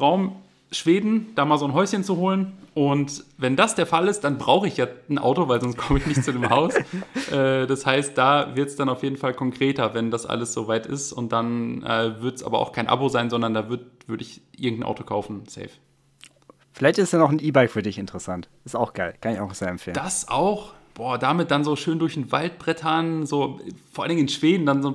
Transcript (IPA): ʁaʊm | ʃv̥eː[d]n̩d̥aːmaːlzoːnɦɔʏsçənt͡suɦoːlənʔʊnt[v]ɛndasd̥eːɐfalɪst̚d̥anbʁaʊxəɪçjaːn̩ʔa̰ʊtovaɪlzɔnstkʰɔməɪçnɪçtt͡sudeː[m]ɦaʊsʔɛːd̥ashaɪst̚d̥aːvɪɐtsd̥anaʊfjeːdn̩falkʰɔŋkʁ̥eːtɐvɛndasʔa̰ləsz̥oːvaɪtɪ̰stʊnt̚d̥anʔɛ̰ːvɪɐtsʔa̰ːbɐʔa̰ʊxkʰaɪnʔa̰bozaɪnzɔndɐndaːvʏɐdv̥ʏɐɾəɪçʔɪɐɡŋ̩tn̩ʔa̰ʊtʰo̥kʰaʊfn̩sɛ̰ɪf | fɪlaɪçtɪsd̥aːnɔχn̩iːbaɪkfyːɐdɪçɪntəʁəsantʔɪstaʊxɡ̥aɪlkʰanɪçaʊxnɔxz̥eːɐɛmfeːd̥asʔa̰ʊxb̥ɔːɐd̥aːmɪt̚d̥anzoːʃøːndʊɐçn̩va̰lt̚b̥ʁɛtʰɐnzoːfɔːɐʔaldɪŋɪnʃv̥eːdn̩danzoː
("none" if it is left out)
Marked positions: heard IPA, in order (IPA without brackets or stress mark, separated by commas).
d, v, m